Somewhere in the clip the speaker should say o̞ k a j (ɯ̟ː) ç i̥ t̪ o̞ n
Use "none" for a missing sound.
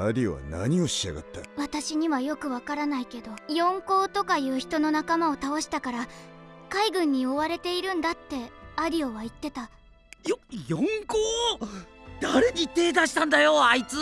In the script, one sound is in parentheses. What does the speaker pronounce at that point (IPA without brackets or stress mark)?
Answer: ɯ̟ː